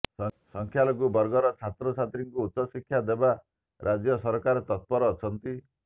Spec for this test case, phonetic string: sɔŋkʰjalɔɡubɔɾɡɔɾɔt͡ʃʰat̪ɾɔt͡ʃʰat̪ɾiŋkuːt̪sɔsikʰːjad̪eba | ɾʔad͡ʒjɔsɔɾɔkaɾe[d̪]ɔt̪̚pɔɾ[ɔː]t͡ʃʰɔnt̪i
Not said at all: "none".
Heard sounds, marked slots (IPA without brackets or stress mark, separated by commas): t̪, ɔː